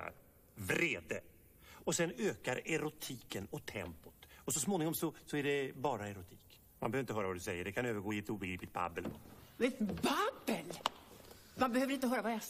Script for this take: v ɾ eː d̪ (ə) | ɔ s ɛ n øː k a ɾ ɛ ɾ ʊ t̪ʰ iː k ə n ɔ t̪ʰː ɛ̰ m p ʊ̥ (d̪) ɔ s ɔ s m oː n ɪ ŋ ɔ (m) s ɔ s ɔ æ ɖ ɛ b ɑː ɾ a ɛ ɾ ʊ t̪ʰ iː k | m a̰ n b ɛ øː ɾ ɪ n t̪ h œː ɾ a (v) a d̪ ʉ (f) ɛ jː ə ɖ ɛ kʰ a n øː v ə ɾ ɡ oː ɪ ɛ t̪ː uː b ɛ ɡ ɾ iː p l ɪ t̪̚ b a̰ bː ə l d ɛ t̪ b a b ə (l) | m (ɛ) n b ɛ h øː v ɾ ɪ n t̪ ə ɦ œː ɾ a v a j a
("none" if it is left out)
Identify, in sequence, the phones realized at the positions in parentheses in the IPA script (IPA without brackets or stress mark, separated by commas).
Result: ə, t̪, m, v, s, l, a